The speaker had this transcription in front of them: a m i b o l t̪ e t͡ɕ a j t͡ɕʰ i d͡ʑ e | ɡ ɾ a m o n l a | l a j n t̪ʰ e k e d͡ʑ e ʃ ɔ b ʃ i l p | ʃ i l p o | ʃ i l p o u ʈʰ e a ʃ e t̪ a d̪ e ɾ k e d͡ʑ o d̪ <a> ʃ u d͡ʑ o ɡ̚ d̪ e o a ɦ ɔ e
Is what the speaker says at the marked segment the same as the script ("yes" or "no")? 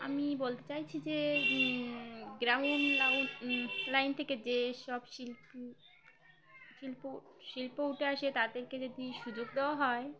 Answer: no